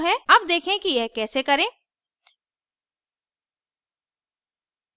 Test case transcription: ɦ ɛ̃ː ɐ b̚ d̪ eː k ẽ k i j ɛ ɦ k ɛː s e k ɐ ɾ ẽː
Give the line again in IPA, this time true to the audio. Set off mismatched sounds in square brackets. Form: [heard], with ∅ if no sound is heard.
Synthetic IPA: ɦ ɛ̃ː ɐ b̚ d̪ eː [kʰ] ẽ k i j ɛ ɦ k ɛː s e k ɐ ɾ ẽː